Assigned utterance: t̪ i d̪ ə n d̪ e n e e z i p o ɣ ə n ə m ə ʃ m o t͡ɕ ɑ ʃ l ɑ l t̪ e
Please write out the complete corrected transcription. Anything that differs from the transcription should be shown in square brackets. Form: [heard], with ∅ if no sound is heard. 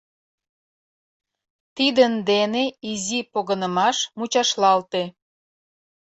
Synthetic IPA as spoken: t̪ i d̪ ə n d̪ e n e [i] z i p o ɣ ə n ə m [ɑ] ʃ m [u] t͡ɕ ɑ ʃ l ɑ l t̪ e